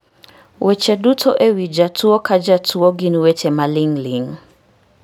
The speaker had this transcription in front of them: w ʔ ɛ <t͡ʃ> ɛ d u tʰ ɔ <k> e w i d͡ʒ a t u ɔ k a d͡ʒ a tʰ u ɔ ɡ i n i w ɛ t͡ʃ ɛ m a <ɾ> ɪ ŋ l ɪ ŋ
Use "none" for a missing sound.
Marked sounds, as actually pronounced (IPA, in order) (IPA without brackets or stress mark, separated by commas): t͡ʃ, ʔ, l